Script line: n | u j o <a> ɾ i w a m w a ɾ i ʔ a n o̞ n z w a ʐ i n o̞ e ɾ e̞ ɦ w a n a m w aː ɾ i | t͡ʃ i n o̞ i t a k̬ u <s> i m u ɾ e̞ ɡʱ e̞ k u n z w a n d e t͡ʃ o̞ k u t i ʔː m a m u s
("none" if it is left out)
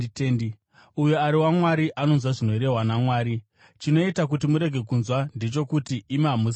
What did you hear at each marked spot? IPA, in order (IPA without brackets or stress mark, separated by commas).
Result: a, t